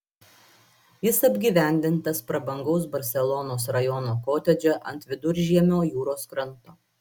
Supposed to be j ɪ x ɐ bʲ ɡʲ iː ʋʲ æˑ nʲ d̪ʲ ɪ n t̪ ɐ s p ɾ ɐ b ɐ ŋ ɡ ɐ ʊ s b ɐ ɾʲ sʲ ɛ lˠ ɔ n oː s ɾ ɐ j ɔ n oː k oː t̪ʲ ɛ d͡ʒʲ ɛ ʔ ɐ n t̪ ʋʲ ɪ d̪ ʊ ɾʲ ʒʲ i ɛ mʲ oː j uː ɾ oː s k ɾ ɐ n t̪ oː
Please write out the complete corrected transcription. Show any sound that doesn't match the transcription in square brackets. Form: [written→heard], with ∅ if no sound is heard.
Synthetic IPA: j ɪ [x→s] ɐ bʲ ɡʲ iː ʋʲ æˑ nʲ d̪ʲ ɪ n t̪ ɐ s p ɾ ɐ b ɐ ŋ ɡ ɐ ʊ s b ɐ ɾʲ sʲ ɛ lˠ ɔ n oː s ɾ ɐ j ɔ n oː k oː t̪ʲ ɛ d͡ʒʲ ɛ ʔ ɐ n t̪ ʋʲ ɪ d̪ ʊ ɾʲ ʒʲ i ɛ mʲ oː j uː ɾ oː s k ɾ ɐ n t̪ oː

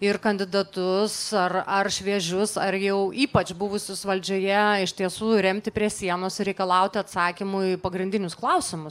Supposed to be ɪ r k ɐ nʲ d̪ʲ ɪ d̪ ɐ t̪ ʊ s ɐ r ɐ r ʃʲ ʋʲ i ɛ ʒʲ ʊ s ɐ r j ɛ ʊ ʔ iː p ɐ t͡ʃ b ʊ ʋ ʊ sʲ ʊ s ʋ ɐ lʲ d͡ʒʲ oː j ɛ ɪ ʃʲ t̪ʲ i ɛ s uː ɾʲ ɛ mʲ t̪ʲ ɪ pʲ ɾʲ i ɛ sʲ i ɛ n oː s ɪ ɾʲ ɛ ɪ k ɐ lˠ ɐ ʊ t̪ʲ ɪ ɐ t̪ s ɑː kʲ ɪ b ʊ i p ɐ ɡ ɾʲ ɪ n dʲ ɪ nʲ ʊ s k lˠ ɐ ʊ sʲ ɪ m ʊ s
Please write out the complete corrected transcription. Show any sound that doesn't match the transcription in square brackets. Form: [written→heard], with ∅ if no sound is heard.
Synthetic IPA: ɪ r k ɐ nʲ d̪ʲ ɪ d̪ ɐ t̪ ʊ s ɐ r ɐ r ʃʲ ʋʲ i ɛ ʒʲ ʊ s ɐ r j ɛ ʊ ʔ iː p ɐ t͡ʃ b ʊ ʋ ʊ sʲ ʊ s ʋ ɐ lʲ d͡ʒʲ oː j ɛ ɪ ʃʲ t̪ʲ i ɛ s uː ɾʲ ɛ mʲ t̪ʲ ɪ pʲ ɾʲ i ɛ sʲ i ɛ n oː s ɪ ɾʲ ɛ ɪ k ɐ lˠ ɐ ʊ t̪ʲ ɪ ɐ t̪ s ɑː kʲ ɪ [b→m] ʊ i p ɐ ɡ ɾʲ ɪ n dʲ ɪ nʲ ʊ s k lˠ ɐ ʊ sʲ ɪ m ʊ s

